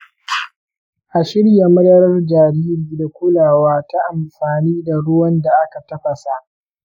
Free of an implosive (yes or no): yes